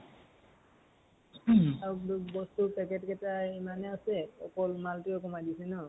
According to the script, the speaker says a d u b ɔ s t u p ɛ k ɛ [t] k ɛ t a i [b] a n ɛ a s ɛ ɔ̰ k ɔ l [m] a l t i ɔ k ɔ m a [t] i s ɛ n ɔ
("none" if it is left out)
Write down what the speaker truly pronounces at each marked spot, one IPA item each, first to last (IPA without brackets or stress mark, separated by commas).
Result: t, m, m, d